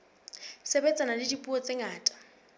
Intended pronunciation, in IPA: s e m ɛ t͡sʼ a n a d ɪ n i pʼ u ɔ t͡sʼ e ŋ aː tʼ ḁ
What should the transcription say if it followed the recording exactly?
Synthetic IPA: s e b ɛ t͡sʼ a n a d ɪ d i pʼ u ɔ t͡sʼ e ŋ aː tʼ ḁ